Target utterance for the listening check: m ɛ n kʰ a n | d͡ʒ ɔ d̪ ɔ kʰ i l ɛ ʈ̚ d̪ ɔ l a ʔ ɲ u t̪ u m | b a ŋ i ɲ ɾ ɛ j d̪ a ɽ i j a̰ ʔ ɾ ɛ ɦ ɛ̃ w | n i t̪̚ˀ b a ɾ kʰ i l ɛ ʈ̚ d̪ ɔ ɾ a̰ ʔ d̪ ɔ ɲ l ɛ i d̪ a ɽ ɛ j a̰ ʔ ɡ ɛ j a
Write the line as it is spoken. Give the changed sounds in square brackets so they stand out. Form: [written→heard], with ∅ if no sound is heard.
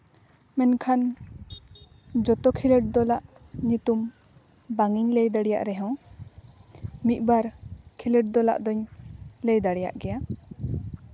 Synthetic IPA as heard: m ɛ n kʰ a n | d͡ʒ ɔ [d̪→t̪] ɔ kʰ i l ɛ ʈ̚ d̪ ɔ l a ʔ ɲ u t̪ u m | b a ŋ i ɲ [ɾ→l] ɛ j d̪ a ɽ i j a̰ ʔ ɾ ɛ ɦ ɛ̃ w | [n→m] i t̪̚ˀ b a ɾ kʰ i l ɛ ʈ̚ d̪ ɔ [ɾ→l] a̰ ʔ d̪ ɔ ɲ l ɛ [i→j] d̪ a ɽ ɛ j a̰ ʔ ɡ ɛ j a